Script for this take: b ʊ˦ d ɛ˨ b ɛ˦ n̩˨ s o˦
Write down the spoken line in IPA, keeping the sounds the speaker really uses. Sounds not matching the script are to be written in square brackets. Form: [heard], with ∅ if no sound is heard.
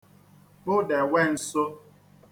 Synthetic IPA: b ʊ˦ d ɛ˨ [w] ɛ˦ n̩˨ s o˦